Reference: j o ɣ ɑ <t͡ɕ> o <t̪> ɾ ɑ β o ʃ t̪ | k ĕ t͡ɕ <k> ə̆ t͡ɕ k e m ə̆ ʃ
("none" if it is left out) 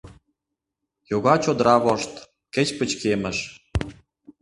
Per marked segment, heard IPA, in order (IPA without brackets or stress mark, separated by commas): t͡ɕ, d̪, p